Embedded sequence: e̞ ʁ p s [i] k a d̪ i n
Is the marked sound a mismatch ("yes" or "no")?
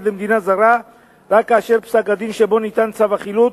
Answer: yes